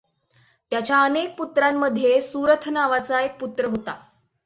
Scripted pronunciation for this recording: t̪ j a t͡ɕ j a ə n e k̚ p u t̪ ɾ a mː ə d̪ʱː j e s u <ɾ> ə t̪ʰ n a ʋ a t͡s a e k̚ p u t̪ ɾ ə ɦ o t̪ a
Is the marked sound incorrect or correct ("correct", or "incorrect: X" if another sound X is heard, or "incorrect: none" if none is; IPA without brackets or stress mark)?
correct